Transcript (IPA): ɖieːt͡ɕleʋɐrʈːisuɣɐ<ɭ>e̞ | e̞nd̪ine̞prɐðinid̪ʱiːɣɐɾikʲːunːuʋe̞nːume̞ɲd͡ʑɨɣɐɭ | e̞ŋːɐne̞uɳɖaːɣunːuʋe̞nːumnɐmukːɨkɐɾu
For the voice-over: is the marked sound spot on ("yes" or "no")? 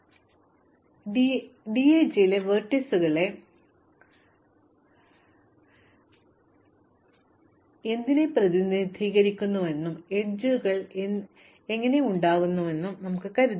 yes